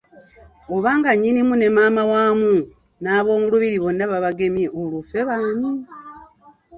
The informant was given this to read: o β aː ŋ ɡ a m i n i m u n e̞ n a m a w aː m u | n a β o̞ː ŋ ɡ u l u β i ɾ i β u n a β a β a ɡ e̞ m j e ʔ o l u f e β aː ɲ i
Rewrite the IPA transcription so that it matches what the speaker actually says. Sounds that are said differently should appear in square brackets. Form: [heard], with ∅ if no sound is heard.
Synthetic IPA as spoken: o β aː ŋ ɡ a [ɲ] i n i m u n e̞ [m] a m a w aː m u | n a β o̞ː ŋ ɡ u l u β i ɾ i β [o] n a β a β a ɡ e̞ m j e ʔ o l u f e β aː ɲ i